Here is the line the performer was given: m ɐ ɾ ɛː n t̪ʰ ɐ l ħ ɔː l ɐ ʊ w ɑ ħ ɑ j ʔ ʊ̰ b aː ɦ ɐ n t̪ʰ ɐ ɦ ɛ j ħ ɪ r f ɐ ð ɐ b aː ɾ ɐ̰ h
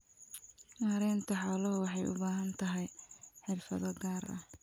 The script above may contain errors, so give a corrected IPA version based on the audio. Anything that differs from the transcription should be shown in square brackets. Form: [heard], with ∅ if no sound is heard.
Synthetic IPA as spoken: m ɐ ɾ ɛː n t̪ʰ ɐ [∅] ħ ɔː l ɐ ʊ w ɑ ħ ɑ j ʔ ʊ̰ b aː ɦ ɐ n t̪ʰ ɐ ɦ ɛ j ħ ɪ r f ɐ ð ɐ [ɡ] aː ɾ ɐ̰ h